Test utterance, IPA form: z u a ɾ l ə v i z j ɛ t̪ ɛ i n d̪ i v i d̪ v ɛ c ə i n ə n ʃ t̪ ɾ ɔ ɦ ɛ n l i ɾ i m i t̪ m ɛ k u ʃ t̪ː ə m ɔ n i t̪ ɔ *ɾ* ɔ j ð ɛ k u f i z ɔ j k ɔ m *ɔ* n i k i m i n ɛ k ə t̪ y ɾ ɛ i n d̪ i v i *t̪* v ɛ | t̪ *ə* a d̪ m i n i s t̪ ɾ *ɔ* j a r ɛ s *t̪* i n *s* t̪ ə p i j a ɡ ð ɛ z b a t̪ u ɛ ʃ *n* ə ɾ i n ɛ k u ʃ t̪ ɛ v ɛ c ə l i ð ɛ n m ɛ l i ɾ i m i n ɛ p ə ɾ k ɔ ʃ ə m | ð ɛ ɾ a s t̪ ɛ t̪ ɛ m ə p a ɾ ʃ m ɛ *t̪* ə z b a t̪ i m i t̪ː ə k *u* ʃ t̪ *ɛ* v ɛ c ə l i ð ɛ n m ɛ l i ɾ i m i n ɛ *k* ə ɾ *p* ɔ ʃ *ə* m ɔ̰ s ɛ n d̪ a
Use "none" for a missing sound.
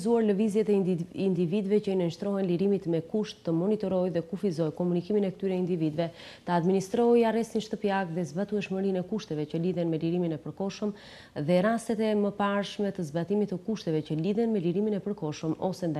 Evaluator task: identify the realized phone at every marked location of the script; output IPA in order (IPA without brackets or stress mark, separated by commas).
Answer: ɾ, u, d̪, ə, ɔ, t̪, ʃ, m, t̪, u, ɛ, p, k, ə